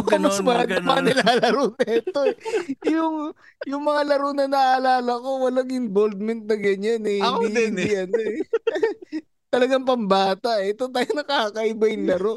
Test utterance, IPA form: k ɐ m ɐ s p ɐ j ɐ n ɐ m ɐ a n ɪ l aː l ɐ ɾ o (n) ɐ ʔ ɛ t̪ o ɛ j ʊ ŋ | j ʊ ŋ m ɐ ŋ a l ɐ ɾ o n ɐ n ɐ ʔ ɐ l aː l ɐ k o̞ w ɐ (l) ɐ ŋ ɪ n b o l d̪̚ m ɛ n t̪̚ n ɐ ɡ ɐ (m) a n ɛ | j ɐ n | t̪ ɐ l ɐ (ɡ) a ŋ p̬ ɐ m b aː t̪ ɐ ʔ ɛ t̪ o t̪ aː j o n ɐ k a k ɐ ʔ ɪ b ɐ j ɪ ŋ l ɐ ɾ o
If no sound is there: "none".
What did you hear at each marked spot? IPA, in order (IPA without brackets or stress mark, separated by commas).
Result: n, l, ɲ, ɡ